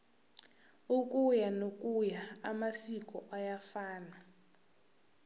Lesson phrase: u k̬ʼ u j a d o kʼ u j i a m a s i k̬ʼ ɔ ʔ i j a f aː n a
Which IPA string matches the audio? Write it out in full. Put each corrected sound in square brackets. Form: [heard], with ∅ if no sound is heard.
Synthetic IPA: u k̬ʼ u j a [n] o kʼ u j [a] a m a s i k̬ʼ ɔ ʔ [a] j a f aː n a

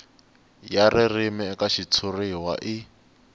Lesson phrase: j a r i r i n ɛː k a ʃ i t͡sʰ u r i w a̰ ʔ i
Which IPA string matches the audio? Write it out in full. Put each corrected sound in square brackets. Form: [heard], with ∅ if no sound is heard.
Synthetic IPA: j a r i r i [m] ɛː k a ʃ i t͡sʰ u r i w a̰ ʔ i

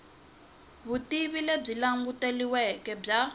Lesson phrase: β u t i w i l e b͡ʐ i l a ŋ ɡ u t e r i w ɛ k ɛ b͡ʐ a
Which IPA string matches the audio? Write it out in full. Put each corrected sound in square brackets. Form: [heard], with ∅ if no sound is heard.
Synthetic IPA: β u t i [β] i l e b͡ʐ i l a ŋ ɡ u t e [l] i w ɛ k ɛ b͡ʐ a

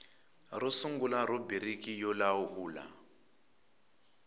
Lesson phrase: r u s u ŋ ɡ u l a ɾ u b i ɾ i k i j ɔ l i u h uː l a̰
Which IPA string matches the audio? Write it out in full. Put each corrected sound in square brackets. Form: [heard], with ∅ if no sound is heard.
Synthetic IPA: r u s u ŋ ɡ u l a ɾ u b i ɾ i k i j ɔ l [a] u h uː l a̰

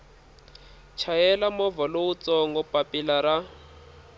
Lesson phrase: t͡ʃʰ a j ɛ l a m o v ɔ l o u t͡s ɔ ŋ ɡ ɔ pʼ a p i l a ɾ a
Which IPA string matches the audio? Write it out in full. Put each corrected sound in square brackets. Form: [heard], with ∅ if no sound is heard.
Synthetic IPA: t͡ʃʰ a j ɛ l a m [ɔ] v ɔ l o u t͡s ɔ ŋ ɡ ɔ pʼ a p i l a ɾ a

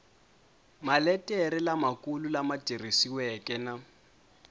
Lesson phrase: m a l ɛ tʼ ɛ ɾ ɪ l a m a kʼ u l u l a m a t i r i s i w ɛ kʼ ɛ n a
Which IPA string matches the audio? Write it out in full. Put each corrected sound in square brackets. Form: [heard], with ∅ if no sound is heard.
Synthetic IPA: m a l ɛ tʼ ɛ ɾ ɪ l a m a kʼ u l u l a m a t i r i s i w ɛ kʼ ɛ n a

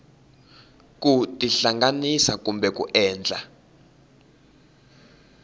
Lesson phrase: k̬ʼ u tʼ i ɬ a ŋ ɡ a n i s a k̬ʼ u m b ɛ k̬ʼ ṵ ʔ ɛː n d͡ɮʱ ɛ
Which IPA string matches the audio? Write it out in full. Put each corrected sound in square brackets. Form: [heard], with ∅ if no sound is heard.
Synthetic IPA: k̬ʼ u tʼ i ɬ a ŋ ɡ a n i s a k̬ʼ u m b ɛ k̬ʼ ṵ ʔ ɛː n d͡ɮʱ [a]

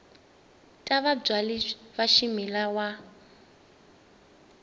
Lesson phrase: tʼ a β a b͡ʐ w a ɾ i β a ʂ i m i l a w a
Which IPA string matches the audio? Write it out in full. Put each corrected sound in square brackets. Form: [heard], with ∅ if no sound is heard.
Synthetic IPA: tʼ a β a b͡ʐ w a [l] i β a [ʃ] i m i l a w a

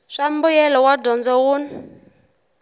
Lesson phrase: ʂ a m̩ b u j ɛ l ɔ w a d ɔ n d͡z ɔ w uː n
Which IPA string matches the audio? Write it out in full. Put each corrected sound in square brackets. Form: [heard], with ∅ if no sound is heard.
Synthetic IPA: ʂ a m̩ b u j ɛ l ɔ w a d ɔ n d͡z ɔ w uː n

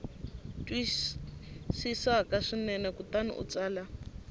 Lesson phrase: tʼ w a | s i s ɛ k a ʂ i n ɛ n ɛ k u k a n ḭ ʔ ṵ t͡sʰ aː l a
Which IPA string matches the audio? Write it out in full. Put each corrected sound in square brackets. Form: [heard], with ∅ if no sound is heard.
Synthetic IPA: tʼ w [i] | s i s [a] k a ʂ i n ɛ n ɛ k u [t] a n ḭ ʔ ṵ [t͡s] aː l a

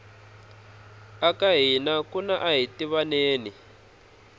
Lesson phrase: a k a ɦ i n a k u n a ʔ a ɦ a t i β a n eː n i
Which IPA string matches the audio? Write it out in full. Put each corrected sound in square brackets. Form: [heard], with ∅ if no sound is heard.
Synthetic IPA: a k a ɦ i n a k u n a ʔ a ɦ [i] t i β a n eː n i

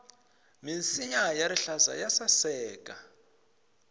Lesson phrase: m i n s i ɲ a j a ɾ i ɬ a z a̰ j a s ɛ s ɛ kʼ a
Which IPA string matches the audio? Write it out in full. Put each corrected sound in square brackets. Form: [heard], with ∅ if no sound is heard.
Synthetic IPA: m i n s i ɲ a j a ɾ i ɬ a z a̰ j a s [a] s [ɛː] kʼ a

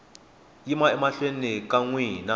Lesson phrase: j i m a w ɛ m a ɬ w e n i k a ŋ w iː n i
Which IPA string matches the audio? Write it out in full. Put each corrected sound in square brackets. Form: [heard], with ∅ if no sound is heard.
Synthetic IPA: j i m a [∅] ɛ m a ɬ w e n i k a ŋ w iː n [a]

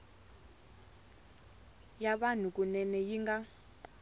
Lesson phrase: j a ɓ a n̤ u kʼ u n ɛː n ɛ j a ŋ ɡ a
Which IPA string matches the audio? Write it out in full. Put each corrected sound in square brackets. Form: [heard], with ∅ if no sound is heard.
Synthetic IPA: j a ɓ a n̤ u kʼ u n [ɛ] n ɛ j [i] ŋ ɡ a

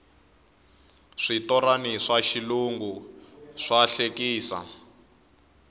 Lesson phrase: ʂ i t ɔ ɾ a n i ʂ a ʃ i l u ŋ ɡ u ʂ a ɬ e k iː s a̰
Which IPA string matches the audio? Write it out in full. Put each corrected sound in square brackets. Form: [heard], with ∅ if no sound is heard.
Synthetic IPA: ʂ i t ɔ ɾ a n i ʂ a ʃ i l u ŋ ɡ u ʂ a ɬ e k iː s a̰

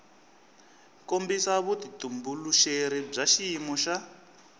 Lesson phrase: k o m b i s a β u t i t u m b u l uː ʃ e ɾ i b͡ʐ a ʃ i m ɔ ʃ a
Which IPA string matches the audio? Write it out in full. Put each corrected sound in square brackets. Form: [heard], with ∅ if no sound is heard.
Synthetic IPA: k o m b i s a β u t i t u m b u l [u] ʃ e ɾ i b͡ʐ a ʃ i m ɔ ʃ a

